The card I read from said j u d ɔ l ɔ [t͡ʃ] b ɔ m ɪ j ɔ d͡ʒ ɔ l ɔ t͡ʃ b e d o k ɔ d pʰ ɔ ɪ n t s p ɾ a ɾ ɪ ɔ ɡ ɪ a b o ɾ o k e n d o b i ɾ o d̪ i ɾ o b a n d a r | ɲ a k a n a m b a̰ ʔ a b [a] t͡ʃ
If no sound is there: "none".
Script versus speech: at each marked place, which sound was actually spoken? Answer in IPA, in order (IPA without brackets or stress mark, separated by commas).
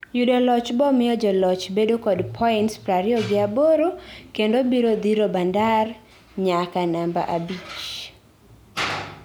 t͡ʃ, i